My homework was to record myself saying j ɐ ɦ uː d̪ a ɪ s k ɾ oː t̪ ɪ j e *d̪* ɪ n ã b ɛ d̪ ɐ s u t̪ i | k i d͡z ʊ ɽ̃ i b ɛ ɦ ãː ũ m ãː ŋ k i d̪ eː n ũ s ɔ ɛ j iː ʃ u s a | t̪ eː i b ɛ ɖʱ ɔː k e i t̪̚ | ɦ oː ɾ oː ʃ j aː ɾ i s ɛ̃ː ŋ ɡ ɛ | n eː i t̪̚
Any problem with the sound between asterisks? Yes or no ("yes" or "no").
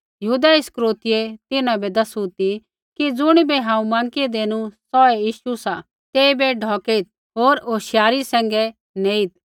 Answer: yes